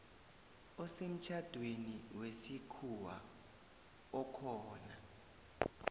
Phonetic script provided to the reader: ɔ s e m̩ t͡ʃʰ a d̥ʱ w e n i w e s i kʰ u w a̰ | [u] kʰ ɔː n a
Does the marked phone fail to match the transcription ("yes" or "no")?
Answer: yes